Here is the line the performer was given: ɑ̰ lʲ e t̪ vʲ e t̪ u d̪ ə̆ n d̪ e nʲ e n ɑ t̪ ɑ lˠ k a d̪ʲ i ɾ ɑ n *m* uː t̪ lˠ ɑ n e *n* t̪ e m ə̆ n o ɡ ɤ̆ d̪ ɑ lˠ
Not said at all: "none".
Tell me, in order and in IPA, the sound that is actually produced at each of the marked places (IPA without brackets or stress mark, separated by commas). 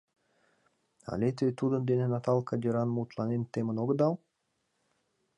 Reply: m, n